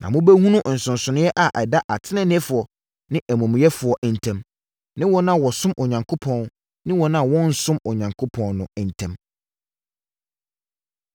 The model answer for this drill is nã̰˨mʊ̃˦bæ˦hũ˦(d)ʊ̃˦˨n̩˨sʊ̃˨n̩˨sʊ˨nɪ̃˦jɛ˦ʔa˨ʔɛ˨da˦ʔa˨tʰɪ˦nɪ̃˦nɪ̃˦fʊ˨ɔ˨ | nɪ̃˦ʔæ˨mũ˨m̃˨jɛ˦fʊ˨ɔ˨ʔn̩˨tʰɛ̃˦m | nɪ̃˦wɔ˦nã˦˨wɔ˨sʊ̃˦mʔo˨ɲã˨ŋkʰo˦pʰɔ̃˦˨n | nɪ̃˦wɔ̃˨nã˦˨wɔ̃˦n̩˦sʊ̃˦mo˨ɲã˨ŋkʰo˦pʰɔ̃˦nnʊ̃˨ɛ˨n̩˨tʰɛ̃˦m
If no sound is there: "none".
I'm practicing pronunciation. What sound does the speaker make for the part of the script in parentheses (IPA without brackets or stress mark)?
n